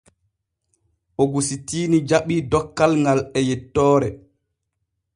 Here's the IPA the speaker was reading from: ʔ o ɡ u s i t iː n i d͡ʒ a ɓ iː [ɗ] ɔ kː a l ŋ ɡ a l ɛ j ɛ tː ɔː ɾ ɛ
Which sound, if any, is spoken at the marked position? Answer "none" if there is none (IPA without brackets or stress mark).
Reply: d